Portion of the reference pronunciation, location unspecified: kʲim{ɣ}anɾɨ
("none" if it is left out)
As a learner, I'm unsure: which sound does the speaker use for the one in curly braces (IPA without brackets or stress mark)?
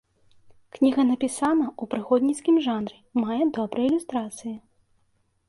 ʐ